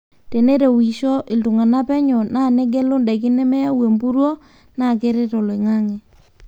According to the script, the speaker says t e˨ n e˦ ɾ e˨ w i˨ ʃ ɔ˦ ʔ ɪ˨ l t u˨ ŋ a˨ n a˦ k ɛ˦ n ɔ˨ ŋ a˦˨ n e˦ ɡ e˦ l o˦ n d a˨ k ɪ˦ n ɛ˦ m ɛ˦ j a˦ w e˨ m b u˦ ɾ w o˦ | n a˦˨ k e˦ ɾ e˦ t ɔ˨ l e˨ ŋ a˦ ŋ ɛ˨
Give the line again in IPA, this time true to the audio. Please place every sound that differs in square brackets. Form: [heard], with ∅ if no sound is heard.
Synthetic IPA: t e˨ n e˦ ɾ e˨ w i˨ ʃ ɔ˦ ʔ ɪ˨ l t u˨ ŋ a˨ n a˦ [p] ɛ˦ [ɲ] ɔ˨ [n] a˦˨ n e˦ ɡ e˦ l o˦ n d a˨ k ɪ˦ n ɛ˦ m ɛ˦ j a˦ w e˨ m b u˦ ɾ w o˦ | n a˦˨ k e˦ ɾ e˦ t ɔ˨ l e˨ ŋ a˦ ŋ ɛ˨